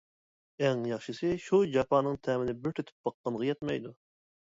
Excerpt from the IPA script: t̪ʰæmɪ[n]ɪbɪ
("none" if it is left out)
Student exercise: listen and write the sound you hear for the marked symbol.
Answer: n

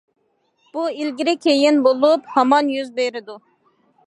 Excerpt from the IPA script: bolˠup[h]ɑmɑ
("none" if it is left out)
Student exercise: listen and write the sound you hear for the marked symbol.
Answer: h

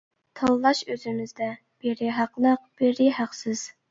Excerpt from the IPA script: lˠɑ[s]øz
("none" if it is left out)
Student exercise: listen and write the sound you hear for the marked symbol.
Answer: ʃ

